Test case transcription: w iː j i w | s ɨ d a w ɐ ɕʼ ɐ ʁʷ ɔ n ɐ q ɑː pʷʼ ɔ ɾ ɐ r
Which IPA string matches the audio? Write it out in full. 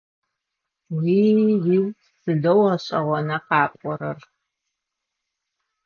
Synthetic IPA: w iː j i w | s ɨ d ɐ w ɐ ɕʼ ɐ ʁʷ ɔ n ɐ q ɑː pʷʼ ɔ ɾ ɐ r